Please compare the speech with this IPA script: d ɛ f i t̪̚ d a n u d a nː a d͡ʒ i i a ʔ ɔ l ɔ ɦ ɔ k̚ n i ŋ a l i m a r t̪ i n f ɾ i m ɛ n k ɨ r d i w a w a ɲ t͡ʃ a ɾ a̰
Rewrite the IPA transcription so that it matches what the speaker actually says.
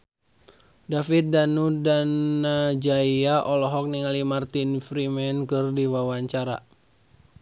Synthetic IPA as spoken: d a f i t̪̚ d a n u d a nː a d͡ʒ a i a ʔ ɔ l ɔ ɦ ɔ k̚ n i ŋ a l i m a r t̪ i n f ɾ i m ɛ n k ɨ r d i w a w a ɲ t͡ʃ a ɾ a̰